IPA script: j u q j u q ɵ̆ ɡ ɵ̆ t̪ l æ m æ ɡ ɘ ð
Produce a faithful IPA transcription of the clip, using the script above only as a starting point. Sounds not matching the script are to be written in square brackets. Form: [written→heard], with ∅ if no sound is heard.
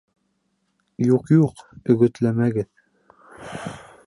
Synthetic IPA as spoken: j u q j u q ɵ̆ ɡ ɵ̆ t̪ l æ m æ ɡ ɘ ð